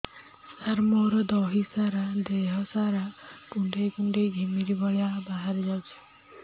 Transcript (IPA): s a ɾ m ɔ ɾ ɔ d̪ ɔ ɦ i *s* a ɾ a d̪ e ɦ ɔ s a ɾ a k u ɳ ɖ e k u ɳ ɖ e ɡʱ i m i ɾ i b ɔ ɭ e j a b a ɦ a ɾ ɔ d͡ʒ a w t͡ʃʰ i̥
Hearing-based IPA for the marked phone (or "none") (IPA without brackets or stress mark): s